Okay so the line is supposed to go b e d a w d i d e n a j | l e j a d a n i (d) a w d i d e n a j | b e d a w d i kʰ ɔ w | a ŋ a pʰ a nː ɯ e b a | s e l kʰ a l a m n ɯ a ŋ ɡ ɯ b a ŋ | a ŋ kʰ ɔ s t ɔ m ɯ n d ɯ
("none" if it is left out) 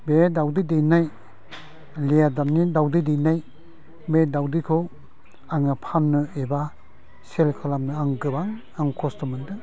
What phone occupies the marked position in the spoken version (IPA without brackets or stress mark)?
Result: d